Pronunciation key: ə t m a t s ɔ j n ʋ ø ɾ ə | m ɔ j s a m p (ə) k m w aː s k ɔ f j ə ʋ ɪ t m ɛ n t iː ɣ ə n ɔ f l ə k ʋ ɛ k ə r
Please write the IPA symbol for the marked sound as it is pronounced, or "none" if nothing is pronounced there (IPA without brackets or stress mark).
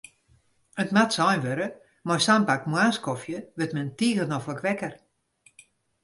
a